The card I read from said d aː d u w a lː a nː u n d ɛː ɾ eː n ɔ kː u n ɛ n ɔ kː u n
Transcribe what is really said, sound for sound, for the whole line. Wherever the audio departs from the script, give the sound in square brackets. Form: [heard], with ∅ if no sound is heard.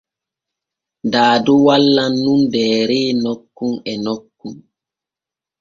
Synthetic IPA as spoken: d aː d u w a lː a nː u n d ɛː ɾ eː n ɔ kː u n ɛ n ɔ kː u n